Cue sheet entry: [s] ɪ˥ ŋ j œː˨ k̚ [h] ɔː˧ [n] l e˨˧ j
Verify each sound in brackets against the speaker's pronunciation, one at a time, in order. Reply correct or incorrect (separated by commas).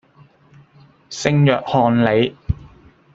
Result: correct, correct, correct